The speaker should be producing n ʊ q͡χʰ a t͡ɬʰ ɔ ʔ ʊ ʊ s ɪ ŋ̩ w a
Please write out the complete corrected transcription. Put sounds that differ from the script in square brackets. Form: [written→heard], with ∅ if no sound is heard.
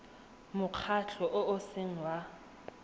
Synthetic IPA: [n→m] ʊ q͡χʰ a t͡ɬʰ ɔ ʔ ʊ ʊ s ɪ ŋ̩ w a